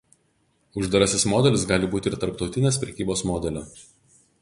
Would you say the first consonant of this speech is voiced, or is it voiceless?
voiced